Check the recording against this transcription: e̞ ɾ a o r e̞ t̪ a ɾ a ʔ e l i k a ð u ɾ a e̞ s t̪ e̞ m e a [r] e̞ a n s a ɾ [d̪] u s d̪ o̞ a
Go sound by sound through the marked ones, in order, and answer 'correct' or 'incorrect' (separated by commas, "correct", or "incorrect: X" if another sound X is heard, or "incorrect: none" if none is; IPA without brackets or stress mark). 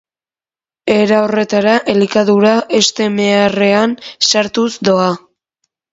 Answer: correct, incorrect: t̪